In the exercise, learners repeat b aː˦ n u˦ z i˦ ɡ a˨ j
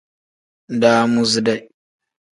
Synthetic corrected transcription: d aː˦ m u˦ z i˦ d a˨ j